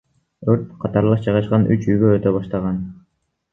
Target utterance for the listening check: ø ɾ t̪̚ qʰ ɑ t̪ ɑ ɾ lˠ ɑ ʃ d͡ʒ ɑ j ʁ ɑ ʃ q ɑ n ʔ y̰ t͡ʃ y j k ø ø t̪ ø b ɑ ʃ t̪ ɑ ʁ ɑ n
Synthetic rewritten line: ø ɾ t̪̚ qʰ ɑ t̪ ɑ ɾ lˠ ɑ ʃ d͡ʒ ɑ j ʁ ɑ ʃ q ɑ n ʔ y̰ t͡ʃ y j ɡ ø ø t̪ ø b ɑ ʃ t̪ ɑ ʁ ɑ n